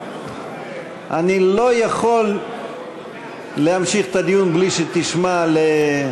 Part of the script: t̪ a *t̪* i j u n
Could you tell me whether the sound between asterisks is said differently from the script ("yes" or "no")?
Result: yes